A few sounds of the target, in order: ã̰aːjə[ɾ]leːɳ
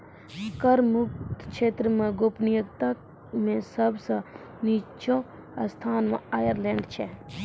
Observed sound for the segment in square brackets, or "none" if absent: ɾ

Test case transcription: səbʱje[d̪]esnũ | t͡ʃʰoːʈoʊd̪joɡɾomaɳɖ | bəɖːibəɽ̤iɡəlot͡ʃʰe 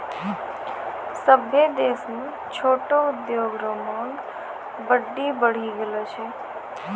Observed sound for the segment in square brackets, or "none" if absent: d̪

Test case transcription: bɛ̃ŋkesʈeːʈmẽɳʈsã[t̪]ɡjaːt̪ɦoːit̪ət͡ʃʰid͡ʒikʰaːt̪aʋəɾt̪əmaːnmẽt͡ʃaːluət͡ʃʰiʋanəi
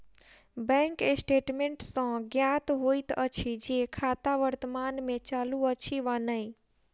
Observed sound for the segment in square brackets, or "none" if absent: none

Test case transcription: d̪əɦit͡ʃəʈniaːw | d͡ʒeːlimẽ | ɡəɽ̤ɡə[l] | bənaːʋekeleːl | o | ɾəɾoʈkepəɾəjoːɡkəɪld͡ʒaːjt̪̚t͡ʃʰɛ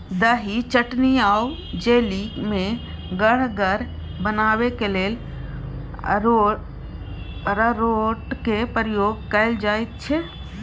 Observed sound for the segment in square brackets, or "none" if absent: ɾ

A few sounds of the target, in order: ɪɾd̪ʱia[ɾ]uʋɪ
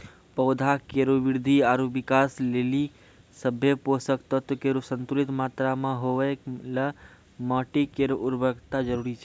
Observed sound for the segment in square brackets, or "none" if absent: ɾ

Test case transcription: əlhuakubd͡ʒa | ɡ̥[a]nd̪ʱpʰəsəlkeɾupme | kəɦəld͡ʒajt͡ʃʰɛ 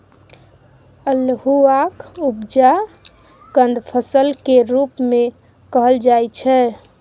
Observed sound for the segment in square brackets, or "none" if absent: ə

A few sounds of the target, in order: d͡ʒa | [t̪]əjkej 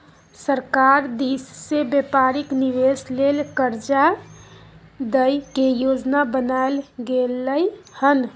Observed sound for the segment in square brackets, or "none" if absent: d̪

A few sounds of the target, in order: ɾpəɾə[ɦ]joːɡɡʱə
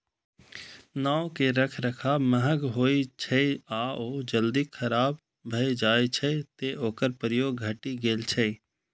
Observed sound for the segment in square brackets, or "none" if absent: none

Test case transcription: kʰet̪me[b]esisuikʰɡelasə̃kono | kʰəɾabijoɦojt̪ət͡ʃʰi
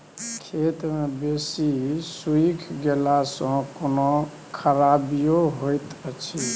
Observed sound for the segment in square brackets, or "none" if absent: b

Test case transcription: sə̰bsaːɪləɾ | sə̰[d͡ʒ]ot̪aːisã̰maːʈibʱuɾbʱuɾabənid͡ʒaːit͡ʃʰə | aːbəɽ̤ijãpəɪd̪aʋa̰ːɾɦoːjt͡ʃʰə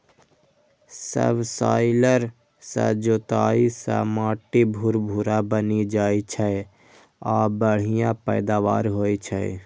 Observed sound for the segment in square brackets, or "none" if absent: d͡ʒ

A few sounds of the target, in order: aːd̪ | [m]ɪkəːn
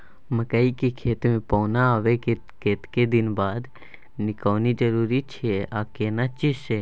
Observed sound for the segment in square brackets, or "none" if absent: n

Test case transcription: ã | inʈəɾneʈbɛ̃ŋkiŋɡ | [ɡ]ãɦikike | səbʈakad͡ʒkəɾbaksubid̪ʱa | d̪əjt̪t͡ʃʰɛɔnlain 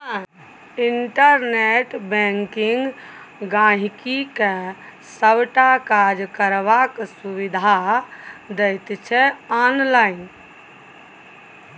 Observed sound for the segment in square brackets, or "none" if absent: ɡ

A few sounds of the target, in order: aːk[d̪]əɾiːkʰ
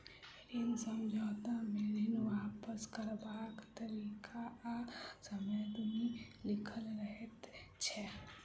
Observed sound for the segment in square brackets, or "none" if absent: t̪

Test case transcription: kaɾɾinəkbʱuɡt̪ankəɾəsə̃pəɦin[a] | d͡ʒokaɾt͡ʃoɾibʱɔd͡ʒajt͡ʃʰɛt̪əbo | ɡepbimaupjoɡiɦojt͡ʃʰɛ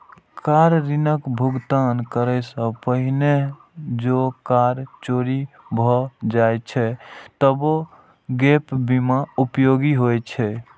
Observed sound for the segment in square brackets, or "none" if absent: e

